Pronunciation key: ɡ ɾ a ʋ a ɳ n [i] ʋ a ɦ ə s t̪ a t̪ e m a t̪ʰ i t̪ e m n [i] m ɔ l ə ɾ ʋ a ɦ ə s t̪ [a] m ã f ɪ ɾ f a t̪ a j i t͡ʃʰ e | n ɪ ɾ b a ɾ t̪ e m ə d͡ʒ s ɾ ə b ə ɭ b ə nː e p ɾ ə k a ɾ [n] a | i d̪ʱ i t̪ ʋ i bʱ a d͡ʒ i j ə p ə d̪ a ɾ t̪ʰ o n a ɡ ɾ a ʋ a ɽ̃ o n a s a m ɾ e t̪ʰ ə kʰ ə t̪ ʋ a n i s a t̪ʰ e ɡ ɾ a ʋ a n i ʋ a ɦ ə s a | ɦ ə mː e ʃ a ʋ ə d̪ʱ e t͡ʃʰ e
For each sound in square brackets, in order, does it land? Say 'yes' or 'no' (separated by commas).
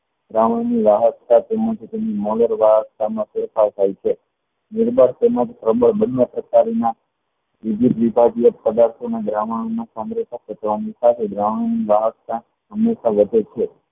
yes, yes, yes, yes